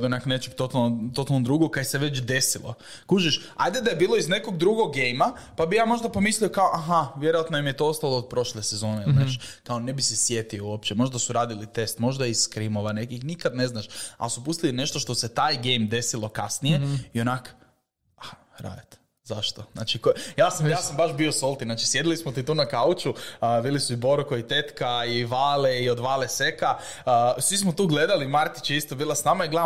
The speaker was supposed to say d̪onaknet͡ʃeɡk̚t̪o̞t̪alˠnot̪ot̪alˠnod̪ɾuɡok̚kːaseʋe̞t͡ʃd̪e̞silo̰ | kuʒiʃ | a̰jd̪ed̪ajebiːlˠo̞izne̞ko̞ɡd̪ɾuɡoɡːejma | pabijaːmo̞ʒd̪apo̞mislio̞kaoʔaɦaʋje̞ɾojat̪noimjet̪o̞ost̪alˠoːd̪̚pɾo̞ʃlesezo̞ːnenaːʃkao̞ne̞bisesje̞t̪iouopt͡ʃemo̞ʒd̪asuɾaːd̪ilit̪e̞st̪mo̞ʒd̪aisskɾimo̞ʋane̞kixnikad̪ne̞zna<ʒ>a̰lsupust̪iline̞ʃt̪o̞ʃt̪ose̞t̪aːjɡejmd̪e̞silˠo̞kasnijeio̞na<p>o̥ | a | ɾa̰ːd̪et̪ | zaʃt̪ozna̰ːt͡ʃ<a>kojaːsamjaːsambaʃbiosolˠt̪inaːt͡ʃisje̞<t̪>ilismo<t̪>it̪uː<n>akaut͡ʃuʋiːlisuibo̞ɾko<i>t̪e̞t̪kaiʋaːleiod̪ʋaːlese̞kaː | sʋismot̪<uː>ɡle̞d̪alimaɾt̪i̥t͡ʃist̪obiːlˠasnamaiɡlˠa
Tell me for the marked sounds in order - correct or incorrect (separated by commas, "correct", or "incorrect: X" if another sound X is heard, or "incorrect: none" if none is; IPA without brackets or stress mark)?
incorrect: ʃ, incorrect: k, incorrect: i, incorrect: d̪, correct, correct, correct, correct